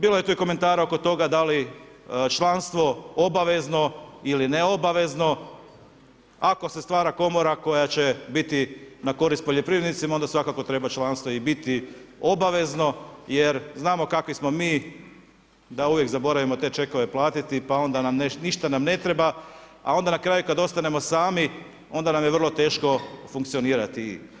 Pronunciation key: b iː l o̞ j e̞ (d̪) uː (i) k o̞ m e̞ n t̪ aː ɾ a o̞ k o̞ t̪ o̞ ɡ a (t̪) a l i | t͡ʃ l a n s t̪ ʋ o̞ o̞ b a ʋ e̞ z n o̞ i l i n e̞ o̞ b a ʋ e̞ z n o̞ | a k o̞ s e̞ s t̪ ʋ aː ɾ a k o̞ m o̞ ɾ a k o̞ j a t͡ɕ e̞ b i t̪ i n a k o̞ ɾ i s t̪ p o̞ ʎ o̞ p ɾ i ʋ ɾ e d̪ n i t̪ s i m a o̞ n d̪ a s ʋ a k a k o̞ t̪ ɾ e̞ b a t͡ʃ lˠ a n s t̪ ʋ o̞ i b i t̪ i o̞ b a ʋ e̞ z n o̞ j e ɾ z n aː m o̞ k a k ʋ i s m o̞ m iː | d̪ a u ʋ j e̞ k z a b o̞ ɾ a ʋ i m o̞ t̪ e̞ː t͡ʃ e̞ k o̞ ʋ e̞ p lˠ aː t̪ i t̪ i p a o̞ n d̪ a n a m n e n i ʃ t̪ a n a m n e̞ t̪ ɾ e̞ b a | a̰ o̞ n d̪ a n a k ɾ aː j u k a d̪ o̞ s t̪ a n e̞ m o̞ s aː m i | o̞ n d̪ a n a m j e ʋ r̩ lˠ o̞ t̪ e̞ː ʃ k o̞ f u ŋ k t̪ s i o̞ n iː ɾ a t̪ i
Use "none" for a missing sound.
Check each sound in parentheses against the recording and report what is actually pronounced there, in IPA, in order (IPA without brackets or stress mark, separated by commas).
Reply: t̪, i, d̪